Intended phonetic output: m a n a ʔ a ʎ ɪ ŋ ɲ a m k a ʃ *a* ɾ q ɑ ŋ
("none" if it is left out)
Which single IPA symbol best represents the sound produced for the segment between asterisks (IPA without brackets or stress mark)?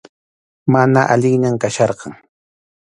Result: ɑ